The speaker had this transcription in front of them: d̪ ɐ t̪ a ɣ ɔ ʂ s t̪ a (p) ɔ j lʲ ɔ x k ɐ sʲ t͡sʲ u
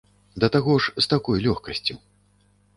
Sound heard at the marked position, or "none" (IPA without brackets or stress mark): k